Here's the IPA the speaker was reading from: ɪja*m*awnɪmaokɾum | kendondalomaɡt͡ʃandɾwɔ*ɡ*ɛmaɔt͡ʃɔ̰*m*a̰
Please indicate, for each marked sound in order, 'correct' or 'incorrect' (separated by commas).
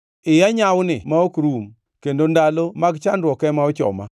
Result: incorrect, incorrect, correct